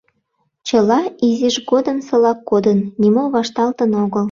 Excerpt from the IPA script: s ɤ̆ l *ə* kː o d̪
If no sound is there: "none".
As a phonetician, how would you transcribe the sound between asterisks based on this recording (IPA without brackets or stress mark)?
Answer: ɑ